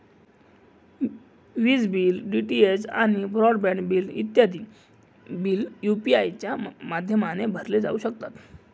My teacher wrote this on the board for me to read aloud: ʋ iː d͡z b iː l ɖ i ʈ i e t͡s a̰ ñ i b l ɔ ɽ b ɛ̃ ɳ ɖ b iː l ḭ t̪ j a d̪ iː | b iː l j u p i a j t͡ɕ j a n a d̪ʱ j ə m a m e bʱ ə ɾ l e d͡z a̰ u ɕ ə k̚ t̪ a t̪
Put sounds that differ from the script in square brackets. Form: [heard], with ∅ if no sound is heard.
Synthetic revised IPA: ʋ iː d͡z b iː l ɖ i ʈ i e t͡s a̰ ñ i b [ɾ] ɔ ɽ b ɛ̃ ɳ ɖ b iː l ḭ t̪ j a d̪ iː | b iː l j u p i a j t͡ɕ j a [m] a d̪ʱ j ə m a [n] e bʱ ə ɾ l e d͡z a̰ u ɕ ə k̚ t̪ a t̪